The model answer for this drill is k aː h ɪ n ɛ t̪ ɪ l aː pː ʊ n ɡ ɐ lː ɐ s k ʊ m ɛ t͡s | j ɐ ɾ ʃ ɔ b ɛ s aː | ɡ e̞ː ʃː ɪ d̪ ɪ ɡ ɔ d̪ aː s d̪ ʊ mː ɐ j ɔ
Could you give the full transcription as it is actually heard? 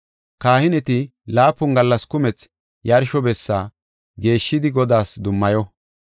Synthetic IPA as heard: k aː h ɪ n ɛ t̪ ɪ l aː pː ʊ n ɡ ɐ lː ɐ s k ʊ m ɛ t͡s | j ɐ ɾ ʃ ɔ b ɛ sː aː | ɡ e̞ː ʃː ɪ d̪ ɪ ɡ ɔ d̪ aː s d̪ ʊ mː ɐ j ɔ